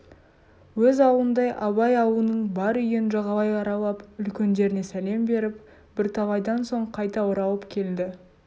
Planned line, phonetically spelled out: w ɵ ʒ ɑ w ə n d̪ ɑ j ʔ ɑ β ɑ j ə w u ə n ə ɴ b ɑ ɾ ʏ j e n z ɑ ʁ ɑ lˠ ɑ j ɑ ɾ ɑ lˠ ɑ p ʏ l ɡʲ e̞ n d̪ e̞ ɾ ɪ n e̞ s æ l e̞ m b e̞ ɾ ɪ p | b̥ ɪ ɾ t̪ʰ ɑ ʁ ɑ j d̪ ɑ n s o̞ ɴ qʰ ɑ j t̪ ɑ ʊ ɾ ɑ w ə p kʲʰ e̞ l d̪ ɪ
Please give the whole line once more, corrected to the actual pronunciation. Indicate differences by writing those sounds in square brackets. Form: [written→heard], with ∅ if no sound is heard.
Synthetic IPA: w ɵ [ʒ→z] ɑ w ə n d̪ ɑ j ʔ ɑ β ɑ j [ə→ɑ] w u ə n ə ɴ b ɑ ɾ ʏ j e n [z→ʒ] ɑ ʁ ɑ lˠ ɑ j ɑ ɾ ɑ lˠ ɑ p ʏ l [ɡʲ→kʲ] e̞ n d̪ e̞ ɾ ɪ n e̞ s æ l e̞ m b e̞ ɾ ɪ p | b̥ ɪ ɾ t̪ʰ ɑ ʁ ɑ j d̪ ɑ n s o̞ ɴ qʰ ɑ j t̪ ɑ ʊ ɾ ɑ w ə p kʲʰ e̞ l d̪ ɪ